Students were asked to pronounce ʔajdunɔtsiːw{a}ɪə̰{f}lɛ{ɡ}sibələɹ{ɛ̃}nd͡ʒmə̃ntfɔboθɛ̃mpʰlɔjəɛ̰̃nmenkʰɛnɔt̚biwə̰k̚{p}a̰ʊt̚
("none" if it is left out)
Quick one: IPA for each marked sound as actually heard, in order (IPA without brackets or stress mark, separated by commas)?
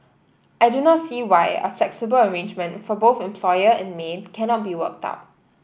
a, f, k, ẽ, t